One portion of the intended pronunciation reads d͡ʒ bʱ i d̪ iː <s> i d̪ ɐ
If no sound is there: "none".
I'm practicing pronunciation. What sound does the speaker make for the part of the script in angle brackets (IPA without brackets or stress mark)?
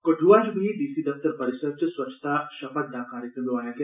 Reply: s